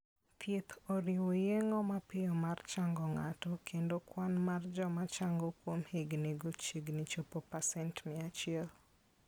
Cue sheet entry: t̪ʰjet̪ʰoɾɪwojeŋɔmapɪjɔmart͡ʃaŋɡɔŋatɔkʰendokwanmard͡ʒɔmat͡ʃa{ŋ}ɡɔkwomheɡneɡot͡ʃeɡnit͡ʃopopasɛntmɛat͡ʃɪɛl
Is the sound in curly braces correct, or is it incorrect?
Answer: correct